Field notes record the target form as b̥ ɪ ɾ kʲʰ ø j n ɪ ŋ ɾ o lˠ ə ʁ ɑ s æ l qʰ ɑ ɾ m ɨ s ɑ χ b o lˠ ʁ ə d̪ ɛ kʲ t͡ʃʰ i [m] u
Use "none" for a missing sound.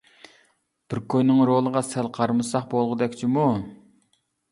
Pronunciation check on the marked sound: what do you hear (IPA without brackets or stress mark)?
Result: m